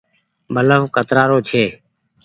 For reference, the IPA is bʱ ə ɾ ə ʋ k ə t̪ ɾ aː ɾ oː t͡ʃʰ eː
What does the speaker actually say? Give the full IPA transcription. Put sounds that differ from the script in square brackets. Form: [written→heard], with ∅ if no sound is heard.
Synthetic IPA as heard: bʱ ə [ɾ→l] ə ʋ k ə t̪ ɾ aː ɾ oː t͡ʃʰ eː